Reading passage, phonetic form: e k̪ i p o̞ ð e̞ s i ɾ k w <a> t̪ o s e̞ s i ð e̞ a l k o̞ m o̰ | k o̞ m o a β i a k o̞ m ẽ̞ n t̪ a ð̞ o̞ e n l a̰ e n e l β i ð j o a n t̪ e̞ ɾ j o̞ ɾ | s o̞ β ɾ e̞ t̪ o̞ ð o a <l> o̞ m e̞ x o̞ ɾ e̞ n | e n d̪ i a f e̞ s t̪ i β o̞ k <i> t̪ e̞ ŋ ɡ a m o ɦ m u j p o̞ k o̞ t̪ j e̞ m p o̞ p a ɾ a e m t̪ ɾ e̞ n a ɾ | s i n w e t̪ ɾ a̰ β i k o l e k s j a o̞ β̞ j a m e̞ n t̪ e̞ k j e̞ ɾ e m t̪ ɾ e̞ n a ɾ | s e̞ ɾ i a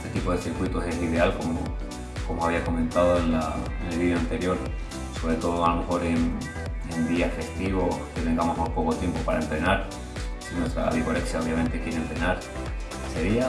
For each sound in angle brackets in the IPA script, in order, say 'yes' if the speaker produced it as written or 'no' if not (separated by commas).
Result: no, yes, no